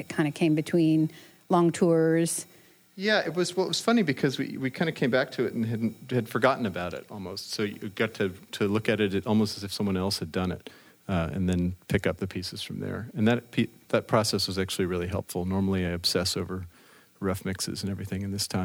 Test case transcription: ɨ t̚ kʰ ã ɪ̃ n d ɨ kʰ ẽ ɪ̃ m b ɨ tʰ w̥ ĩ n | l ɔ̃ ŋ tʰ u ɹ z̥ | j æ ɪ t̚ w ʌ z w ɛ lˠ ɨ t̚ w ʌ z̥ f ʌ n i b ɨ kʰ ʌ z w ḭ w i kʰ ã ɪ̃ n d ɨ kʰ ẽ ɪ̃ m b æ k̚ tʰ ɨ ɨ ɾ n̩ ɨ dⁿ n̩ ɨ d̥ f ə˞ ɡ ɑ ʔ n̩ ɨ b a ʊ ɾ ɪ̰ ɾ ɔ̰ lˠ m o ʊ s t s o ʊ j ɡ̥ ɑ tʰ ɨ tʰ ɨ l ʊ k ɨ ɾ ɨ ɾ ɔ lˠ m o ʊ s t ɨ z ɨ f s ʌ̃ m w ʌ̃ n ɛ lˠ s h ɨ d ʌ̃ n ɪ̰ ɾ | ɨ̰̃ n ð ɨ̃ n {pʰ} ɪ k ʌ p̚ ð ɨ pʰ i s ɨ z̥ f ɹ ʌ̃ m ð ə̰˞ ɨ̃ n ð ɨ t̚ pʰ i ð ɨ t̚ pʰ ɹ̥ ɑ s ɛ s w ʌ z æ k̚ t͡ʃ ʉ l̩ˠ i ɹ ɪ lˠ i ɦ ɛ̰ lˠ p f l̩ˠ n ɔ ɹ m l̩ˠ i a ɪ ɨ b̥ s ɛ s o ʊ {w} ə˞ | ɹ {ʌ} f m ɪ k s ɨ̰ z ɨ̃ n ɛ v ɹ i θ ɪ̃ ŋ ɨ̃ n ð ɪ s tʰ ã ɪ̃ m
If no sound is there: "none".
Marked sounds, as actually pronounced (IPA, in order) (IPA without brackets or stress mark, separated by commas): pʰ, v, ʌ